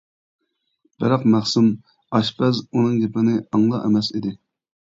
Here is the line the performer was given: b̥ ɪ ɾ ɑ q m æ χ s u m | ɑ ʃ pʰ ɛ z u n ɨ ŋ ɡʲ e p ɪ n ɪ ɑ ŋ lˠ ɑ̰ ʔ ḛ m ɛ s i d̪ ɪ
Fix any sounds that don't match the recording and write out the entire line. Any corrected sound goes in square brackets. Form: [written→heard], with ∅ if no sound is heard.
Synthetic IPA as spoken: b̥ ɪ ɾ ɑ q m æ χ s u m | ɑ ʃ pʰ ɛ z u n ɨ ŋ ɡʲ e p ɪ n ɪ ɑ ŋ lˠ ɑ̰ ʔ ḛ m ɛ s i d̪ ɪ

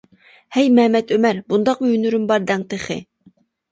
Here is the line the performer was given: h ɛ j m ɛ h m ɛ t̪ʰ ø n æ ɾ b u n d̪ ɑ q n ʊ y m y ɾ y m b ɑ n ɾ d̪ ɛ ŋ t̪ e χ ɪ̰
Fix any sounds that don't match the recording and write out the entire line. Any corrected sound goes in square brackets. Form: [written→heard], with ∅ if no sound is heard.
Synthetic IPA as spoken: h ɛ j m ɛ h m ɛ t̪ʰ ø [n→m] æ ɾ b u n d̪ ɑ q [n→m] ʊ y [m→n] y ɾ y m b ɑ [n→∅] ɾ d̪ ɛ ŋ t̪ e χ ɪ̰

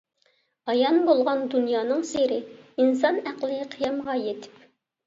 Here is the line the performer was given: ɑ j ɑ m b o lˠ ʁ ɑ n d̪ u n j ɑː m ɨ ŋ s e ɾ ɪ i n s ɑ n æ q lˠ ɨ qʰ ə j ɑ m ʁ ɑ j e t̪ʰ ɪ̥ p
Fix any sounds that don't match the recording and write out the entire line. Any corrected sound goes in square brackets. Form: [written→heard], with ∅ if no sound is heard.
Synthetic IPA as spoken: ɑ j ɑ [m→n] b o lˠ ʁ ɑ n d̪ u n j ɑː [m→n] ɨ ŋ s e ɾ ɪ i n s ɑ n æ q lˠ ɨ qʰ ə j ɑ m ʁ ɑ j e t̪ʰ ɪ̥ p

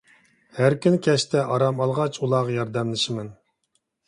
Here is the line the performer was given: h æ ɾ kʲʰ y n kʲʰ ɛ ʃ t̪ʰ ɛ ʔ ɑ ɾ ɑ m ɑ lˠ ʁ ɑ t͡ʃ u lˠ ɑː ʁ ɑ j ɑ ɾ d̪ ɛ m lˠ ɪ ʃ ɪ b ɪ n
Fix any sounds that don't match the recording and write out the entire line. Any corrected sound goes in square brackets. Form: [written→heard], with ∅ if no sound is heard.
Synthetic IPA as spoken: h æ ɾ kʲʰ y n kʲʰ ɛ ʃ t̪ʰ ɛ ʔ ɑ ɾ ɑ m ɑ lˠ ʁ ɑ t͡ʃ u lˠ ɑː ʁ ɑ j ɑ ɾ d̪ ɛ m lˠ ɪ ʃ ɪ [b→m] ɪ n

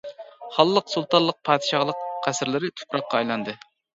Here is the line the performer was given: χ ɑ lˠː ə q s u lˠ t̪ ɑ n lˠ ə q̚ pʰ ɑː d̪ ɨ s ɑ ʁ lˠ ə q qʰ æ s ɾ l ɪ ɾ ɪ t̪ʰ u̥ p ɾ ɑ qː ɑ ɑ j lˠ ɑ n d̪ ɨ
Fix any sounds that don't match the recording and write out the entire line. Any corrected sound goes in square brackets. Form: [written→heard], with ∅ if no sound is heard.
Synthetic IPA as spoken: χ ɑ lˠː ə q s u lˠ t̪ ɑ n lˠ ə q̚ pʰ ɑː d̪ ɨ [s→ʃ] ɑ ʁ lˠ ə q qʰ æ s ɾ l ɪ ɾ ɪ t̪ʰ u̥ p ɾ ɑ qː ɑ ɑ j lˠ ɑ n d̪ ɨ

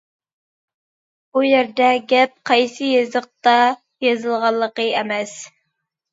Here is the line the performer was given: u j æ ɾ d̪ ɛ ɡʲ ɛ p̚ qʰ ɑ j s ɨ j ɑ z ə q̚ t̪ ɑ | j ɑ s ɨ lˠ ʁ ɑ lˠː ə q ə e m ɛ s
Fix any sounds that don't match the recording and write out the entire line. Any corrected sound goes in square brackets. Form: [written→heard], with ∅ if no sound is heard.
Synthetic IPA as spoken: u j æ ɾ d̪ ɛ ɡʲ ɛ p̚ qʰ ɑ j s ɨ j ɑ z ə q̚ t̪ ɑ | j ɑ [s→z] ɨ lˠ ʁ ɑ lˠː ə q ə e m ɛ s

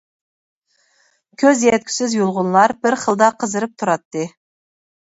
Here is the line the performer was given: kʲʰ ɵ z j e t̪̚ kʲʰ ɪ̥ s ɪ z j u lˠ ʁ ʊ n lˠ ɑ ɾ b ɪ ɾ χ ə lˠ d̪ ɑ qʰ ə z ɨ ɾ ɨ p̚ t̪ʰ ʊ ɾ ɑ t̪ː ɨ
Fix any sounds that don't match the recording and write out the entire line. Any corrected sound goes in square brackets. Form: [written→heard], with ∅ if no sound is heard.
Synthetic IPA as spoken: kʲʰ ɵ z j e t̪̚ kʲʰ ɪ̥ s ɪ z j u lˠ ʁ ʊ n lˠ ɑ ɾ b ɪ ɾ χ ə lˠ d̪ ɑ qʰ ə z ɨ ɾ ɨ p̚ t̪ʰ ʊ ɾ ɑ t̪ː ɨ

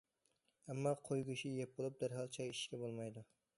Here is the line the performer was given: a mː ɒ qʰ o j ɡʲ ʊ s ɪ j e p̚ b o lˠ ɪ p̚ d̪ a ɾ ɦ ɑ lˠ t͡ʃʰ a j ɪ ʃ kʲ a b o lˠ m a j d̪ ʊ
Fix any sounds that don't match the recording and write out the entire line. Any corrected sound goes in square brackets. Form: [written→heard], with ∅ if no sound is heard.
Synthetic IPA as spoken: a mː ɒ qʰ o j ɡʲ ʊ [s→ʃ] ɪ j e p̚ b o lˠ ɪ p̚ d̪ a ɾ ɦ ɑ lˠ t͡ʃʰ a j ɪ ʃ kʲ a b o lˠ m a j d̪ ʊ

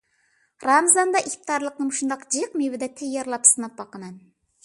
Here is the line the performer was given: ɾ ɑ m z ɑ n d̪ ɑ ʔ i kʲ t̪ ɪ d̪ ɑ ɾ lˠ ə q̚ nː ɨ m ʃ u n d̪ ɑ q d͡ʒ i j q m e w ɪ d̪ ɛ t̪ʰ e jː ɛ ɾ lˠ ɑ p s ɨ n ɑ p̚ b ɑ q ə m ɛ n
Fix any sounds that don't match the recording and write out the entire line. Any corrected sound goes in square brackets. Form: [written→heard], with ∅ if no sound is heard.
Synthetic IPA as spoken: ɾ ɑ m z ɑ n d̪ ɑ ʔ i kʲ t̪ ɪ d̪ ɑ ɾ lˠ ə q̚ [nː→n] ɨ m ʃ u n d̪ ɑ q d͡ʒ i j q m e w ɪ d̪ ɛ t̪ʰ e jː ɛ ɾ lˠ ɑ p s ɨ n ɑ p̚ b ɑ q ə m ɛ n

